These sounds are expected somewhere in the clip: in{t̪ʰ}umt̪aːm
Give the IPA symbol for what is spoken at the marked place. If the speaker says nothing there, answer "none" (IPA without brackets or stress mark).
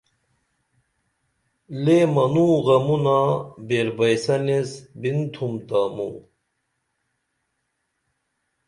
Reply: t̪ʰ